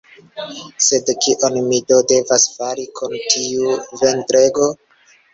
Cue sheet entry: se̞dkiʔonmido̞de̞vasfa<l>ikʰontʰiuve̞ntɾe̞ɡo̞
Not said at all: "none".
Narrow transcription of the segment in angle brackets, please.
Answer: ɾ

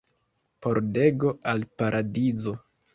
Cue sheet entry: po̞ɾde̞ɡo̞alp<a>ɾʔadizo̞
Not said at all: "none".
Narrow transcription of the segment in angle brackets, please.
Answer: a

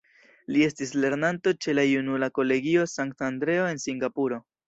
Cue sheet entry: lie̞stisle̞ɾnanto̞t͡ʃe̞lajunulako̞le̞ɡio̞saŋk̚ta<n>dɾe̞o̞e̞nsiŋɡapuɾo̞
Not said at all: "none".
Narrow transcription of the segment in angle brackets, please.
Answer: n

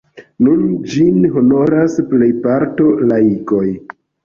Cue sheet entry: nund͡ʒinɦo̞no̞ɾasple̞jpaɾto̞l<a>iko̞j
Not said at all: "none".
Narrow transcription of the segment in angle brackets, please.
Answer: a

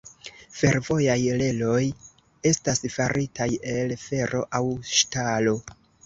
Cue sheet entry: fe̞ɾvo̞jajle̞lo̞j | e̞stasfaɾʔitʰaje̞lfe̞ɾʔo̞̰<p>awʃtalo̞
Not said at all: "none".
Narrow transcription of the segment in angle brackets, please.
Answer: ʔ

